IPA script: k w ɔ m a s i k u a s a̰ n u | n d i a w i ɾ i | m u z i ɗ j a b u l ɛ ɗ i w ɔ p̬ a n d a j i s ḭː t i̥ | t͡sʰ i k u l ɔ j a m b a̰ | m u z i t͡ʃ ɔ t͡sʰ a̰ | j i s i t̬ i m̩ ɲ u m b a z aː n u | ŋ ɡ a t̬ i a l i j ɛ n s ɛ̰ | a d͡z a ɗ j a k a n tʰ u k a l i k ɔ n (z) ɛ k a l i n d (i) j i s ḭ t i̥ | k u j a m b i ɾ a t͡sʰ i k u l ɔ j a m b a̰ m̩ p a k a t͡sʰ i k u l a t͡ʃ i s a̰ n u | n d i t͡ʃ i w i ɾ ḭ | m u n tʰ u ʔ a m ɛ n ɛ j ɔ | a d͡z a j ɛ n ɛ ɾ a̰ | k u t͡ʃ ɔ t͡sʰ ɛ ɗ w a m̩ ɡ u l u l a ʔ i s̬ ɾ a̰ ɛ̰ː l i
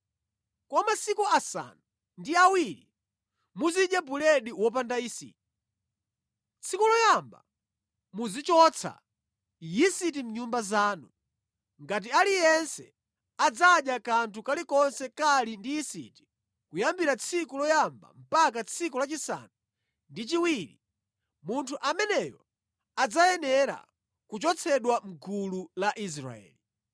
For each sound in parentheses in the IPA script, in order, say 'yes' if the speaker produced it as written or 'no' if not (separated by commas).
no, yes